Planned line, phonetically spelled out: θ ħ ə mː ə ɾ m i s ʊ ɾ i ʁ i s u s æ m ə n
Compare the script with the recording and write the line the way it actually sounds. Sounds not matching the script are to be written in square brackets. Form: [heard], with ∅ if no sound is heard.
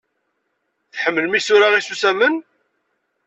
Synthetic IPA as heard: θ ħ ə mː ə [l] m i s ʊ ɾ [a] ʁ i s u s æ m ə n